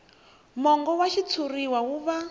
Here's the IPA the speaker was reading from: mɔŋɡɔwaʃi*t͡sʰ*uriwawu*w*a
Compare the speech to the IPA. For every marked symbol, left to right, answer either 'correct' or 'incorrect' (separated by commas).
correct, incorrect